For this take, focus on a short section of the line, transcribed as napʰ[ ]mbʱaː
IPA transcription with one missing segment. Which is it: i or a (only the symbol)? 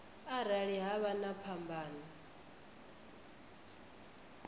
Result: a